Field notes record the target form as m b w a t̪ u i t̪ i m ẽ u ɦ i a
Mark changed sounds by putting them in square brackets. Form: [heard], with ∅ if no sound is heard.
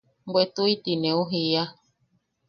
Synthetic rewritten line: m b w [e] t̪ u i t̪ i [n] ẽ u ɦ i a